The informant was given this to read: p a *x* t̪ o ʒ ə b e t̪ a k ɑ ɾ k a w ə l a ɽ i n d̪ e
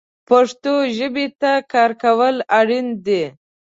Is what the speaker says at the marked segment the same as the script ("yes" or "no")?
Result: no